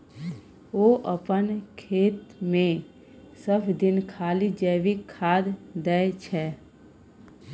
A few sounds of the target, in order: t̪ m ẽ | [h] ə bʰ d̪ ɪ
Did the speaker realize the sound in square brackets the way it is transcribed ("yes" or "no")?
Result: no